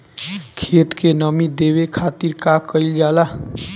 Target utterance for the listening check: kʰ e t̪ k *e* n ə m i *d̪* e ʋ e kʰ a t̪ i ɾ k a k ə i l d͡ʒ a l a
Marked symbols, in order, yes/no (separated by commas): yes, yes